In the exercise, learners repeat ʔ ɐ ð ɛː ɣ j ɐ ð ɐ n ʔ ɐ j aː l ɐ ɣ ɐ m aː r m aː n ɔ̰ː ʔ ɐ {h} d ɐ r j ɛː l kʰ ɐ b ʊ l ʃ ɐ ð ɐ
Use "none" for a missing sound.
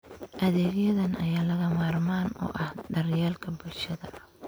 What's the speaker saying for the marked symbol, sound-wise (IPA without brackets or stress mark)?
h